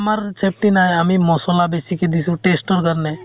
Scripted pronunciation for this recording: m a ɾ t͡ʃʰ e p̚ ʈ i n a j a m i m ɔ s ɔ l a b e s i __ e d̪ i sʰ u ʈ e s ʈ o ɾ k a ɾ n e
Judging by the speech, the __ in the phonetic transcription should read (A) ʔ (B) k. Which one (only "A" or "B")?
B